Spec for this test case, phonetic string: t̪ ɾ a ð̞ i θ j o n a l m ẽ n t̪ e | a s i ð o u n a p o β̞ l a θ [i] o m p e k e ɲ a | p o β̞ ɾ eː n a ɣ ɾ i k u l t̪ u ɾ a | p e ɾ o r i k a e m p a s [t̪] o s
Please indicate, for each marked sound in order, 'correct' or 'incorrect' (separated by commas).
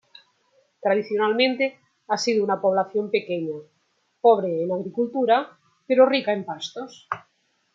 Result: incorrect, correct